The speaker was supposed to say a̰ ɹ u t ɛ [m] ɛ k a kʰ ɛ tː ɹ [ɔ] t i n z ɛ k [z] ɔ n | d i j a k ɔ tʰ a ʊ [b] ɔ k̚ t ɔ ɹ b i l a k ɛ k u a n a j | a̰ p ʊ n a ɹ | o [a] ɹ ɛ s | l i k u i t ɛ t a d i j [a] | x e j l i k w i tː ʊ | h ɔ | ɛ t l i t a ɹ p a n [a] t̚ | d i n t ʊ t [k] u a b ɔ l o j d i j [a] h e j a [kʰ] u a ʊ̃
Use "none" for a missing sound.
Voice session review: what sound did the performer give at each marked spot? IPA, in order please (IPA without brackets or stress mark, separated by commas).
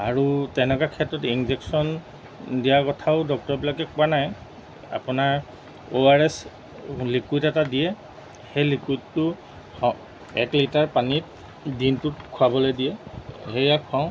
n, ɔ, s, d, a, ɛ, i, kʰ, ɛ, kʰ